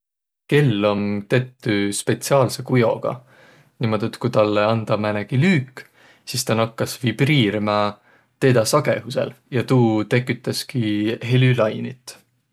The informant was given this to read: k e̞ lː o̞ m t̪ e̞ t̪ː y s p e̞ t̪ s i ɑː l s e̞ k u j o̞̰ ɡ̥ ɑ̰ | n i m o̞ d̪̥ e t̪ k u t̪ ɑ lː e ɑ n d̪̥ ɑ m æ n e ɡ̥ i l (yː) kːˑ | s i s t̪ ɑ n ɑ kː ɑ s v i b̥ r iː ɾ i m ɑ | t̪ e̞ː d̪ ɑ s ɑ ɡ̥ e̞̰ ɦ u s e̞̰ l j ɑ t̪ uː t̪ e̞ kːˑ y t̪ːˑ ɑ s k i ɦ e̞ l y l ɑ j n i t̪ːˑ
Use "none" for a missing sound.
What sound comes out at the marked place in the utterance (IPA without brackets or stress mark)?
yː